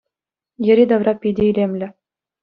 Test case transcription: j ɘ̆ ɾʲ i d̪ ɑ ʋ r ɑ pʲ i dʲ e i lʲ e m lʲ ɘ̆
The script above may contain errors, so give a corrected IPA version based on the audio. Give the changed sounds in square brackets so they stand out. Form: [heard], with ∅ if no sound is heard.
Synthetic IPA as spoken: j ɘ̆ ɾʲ i d̪ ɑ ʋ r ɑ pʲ i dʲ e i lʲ e m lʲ ɘ̆